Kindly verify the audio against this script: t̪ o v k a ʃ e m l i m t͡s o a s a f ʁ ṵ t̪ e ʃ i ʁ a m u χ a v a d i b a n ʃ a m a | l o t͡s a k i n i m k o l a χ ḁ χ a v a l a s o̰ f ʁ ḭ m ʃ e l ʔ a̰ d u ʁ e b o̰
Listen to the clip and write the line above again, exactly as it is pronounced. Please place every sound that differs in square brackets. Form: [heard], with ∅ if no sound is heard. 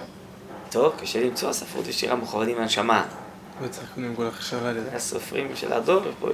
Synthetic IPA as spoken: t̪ o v k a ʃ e [∅] l i m t͡s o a s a f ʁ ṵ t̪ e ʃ i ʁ a m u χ a v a d i [m] a n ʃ a m a | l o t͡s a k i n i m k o l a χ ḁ [ʃ] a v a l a s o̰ f ʁ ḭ m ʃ e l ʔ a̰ d [o] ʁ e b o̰